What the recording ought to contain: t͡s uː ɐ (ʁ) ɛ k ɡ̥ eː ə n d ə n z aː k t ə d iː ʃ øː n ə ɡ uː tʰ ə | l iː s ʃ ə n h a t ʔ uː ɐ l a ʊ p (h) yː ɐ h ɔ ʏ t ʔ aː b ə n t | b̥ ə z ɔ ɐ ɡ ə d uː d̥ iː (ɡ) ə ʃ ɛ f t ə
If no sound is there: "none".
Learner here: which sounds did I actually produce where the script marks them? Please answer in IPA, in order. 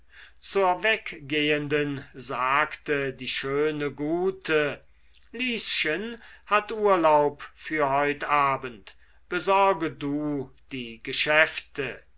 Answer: v, f, ɡ

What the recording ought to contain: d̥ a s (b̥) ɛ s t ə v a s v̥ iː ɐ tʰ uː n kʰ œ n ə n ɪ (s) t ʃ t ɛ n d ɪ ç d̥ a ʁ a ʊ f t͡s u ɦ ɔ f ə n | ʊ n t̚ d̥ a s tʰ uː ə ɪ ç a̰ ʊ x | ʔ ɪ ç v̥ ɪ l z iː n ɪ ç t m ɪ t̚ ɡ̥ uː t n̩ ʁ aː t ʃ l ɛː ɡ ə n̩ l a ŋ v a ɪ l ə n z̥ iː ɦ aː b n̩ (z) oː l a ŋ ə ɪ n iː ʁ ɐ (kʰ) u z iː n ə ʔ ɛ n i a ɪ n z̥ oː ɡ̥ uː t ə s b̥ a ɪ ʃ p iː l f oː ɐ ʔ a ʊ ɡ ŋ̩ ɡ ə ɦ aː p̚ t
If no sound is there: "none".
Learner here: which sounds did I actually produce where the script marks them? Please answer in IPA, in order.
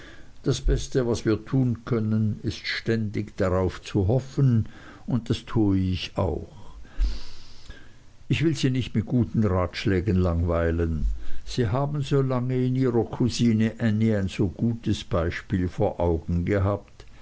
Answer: b̥, s, z, kʰ

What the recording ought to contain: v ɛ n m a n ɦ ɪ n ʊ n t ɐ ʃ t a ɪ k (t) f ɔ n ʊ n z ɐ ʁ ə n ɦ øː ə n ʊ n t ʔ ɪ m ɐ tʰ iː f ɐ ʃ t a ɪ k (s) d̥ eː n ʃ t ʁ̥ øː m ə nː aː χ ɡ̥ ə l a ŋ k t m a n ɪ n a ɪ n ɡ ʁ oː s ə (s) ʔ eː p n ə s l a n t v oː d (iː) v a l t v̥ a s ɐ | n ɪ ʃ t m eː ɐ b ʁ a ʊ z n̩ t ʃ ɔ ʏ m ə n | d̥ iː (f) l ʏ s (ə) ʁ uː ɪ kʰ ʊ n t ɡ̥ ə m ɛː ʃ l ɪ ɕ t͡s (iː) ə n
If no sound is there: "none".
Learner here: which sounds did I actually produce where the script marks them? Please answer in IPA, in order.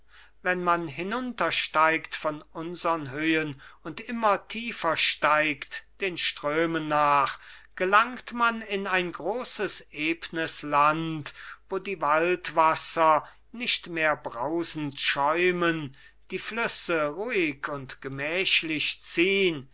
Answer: t, t, s, iː, f, ə, iː

